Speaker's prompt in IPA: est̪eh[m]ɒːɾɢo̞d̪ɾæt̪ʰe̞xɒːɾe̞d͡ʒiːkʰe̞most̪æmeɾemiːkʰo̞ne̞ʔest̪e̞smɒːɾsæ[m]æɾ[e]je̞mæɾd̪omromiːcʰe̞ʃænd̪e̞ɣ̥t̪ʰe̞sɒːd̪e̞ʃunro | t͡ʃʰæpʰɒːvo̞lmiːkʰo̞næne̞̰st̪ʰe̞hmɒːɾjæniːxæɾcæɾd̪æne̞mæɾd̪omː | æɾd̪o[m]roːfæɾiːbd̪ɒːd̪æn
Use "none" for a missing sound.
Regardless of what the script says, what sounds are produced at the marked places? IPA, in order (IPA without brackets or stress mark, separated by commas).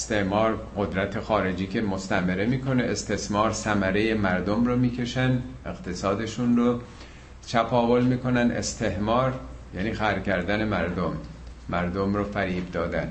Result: m, m, e, m